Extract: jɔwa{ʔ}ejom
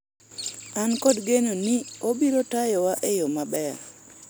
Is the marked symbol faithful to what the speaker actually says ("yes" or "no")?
yes